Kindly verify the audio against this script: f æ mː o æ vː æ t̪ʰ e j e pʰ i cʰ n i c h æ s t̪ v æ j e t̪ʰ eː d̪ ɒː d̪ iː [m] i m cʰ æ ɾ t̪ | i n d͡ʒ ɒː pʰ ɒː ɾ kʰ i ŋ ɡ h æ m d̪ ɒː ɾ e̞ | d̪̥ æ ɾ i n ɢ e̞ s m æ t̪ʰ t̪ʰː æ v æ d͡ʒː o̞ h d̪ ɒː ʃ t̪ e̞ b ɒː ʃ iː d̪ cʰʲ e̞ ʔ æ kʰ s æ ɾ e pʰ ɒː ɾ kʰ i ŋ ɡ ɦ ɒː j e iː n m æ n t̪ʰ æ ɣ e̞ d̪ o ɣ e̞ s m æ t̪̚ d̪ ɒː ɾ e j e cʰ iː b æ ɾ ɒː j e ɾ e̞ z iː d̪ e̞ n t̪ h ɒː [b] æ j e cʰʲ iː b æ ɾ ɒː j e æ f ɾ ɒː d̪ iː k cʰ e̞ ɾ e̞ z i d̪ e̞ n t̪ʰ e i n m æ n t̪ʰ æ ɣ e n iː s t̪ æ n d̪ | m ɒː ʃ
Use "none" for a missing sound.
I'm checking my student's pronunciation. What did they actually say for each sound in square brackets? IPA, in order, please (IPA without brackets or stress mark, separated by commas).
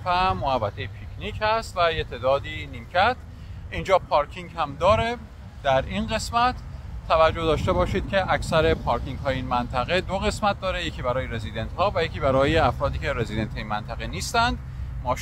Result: n, v